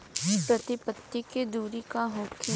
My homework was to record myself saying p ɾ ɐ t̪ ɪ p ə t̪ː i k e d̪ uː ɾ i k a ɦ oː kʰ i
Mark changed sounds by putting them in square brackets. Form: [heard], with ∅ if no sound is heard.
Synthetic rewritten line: p ɾ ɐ t̪ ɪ p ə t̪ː i k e d̪ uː ɾ i k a ɦ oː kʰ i